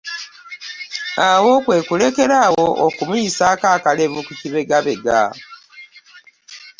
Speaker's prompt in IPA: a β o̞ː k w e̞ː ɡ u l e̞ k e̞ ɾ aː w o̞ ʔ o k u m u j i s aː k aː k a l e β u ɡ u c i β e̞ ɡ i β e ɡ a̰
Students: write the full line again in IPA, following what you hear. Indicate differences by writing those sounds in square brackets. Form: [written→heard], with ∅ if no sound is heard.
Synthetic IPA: a [β→w] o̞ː k w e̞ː [ɡ→k] u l e̞ k e̞ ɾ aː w o̞ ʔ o k u m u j i s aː k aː k a l e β u [ɡ→k] u c i β e̞ ɡ [i→a] β e ɡ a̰